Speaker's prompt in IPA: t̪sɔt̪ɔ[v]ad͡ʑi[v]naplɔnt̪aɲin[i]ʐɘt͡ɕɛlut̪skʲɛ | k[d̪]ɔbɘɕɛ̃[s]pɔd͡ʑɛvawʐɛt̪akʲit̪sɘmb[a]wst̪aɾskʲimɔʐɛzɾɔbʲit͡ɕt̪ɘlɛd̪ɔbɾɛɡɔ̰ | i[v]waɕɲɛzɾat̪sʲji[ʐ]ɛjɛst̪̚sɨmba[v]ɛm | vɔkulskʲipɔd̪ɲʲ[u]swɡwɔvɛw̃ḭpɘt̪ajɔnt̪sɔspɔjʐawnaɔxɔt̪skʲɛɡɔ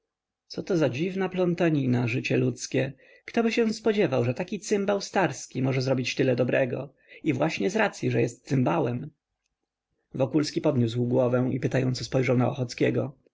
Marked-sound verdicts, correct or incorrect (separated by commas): incorrect, correct, incorrect, incorrect, correct, correct, correct, correct, incorrect, correct